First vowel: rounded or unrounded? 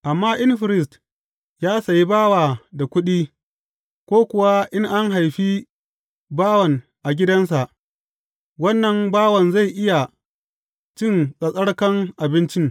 unrounded